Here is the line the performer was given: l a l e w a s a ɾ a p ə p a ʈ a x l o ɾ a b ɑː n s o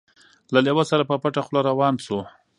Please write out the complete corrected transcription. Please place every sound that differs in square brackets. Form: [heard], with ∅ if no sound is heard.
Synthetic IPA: l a l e w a s a ɾ a p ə p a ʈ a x l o ɾ a [w] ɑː n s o